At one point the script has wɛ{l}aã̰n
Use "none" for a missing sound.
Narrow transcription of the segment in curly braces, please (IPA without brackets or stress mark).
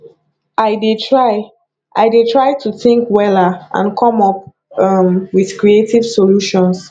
l